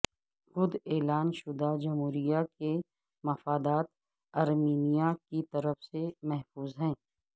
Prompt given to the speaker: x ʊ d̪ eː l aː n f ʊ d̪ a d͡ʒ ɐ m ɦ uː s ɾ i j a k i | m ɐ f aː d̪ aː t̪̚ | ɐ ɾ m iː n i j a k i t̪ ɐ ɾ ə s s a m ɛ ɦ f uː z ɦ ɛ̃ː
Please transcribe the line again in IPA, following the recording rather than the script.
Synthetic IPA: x ʊ d̪ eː l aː n ʃ ʊ d̪ a d͡ʒ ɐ m ɦ uː ɾ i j a k e | m ɐ f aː d̪ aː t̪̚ | ɐ ɾ m iː n i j a k i t̪ ɐ ɾ ə f s e m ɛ ɦ f uː z ɦ ɛ̃ː

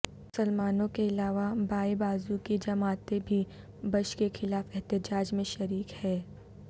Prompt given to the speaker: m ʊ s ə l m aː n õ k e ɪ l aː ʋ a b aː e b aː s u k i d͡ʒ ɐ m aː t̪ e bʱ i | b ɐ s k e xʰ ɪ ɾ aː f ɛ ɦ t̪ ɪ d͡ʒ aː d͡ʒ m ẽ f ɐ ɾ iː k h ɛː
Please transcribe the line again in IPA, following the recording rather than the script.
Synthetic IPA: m ʊ s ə l m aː n õ k e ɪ l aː ʋ a b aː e b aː z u k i d͡ʒ ɐ m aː t̪ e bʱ i | b ɐ ʃ k e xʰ ɪ l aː f ɛ ɦ t̪ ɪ d͡ʒ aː d͡ʒ m ẽ ʃ ɐ ɾ iː k h ɛː

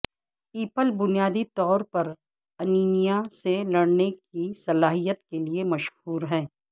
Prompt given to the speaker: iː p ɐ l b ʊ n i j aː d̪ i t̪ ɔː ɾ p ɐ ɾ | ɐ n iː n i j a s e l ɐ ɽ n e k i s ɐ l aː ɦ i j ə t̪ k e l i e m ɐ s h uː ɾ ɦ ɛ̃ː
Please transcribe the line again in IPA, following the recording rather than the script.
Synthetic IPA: iː p ə l b ʊ n i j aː d̪ i t̪ ɔː ɾ p ɐ ɾ | ɐ n iː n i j a s e l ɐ ɽ n e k i s ɐ l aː ɦ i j ə t̪ k e l i e m ɐ ʃ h uː ɾ ɦ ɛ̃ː

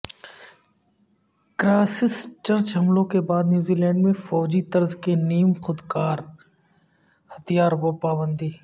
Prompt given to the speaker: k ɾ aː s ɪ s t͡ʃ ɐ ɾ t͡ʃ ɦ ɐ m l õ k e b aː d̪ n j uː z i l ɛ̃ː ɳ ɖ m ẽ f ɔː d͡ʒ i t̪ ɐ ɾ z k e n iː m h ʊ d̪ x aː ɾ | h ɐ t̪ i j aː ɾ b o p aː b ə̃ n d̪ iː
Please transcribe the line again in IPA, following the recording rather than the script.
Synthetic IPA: k ɾ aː s ɪ s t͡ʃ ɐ ɾ t͡ʃ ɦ ɐ m l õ k e b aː d̪ n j uː z i l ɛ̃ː ɳ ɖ m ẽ f ɔː d͡ʒ i t̪ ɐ ɾ z k e n iː m x ʊ d̪ k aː ɾ | h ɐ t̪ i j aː ɾ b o p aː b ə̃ n d̪ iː

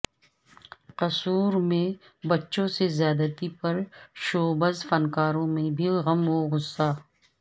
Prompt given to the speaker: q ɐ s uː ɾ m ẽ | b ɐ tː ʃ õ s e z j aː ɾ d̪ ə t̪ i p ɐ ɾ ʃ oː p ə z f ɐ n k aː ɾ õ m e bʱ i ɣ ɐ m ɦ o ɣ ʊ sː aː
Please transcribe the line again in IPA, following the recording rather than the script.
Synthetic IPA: q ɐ s uː ɾ m ẽ | b ɐ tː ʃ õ s e z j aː d̪ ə t̪ i p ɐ ɾ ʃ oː b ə z f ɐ n k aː ɾ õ m ẽ bʱ i ɣ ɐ m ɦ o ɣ ʊ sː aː

